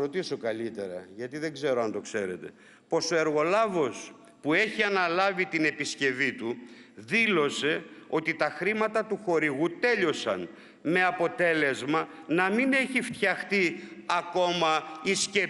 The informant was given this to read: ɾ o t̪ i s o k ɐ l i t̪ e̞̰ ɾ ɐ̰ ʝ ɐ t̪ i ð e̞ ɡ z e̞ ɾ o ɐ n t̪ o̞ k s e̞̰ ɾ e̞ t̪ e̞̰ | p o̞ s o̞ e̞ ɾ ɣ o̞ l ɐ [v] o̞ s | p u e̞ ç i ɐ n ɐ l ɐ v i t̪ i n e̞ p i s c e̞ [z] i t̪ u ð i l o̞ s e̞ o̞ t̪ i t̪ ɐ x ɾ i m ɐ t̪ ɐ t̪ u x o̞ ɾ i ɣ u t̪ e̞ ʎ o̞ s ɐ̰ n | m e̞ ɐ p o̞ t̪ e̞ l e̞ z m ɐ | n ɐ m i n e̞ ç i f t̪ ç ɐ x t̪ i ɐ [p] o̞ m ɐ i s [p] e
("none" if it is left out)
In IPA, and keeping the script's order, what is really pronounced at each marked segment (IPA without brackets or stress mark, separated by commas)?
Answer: v, v, k, c